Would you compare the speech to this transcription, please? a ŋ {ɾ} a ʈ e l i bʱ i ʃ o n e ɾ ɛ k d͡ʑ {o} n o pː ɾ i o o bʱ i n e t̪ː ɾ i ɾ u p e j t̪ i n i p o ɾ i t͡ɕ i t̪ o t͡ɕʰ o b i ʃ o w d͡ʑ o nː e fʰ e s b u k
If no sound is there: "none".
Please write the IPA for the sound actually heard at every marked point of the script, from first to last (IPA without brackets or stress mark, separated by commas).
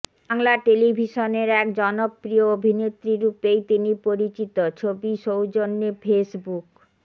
l, ɔ